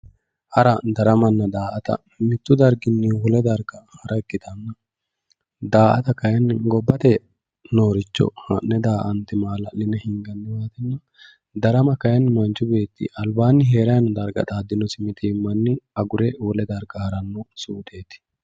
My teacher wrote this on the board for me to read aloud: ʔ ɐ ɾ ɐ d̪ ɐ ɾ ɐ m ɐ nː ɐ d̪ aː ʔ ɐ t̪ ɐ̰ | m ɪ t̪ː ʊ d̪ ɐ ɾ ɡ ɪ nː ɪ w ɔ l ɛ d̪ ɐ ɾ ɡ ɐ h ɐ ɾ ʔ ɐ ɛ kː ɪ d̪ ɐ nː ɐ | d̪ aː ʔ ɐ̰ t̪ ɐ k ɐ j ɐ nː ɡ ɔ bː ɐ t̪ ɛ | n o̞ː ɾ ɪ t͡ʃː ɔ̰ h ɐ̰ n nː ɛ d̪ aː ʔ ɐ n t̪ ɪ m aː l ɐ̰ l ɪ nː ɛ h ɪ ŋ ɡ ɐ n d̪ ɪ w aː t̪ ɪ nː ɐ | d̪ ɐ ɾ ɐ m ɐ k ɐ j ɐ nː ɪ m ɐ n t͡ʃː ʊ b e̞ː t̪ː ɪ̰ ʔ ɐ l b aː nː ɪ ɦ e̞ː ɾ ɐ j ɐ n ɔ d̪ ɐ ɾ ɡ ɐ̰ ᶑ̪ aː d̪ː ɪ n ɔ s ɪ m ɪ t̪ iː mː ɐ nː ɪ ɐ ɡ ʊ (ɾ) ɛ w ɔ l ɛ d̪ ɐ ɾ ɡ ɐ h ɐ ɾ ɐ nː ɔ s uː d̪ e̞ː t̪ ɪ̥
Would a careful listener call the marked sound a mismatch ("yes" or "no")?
no